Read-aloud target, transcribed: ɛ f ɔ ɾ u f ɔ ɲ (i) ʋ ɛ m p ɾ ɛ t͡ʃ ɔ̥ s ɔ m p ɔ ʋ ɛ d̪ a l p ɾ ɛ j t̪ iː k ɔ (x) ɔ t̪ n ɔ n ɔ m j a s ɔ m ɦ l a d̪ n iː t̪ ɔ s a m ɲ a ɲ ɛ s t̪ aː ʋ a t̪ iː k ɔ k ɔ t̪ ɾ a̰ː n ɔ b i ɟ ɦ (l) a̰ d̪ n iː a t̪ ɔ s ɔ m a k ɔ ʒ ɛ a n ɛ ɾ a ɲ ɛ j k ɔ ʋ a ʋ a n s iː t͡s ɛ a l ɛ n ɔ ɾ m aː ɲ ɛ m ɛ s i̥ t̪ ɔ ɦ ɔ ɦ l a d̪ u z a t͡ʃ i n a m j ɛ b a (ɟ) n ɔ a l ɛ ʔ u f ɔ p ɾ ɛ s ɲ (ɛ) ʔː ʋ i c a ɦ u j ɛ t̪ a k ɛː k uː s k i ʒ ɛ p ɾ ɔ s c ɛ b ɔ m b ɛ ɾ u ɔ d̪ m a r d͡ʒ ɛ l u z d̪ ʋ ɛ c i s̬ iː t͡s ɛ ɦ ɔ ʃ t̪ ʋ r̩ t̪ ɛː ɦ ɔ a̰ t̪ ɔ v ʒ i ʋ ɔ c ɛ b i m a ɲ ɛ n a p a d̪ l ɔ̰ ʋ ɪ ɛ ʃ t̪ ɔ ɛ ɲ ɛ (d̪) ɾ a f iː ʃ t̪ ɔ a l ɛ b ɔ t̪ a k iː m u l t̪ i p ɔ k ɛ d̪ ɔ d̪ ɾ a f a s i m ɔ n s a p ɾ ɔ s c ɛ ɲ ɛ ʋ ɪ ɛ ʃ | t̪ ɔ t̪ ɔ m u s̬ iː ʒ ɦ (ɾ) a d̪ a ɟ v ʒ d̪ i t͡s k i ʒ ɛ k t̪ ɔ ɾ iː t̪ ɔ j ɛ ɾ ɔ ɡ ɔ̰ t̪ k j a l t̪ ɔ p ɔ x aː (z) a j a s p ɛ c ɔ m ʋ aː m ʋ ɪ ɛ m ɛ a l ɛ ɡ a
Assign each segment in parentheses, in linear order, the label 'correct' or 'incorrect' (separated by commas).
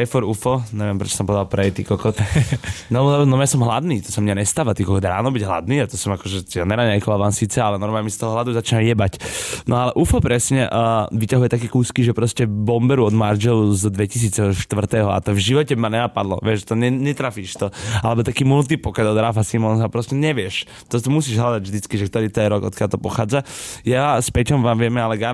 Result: incorrect, incorrect, correct, incorrect, correct, incorrect, incorrect, incorrect